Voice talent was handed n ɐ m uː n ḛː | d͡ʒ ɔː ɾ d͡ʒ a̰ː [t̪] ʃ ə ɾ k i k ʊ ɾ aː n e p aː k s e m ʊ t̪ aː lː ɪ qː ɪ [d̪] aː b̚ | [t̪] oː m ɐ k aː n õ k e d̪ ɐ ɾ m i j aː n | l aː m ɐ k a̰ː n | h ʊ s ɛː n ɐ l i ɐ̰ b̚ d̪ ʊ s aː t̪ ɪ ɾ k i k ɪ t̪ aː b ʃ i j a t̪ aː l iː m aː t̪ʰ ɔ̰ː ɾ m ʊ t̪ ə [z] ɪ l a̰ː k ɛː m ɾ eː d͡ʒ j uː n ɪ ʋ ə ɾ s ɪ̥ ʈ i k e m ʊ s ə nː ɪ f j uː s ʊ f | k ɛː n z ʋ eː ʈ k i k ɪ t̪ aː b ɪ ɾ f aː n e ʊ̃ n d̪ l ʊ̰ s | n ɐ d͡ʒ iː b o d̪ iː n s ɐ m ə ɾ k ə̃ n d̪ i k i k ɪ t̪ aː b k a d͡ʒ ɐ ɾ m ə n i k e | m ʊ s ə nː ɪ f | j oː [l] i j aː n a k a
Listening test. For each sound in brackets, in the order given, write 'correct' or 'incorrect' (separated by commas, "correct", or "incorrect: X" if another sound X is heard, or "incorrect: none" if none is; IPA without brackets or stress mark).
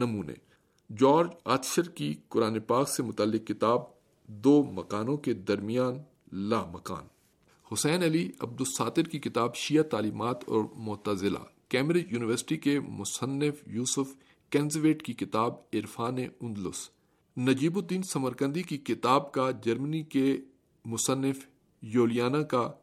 correct, incorrect: t̪, incorrect: d̪, correct, correct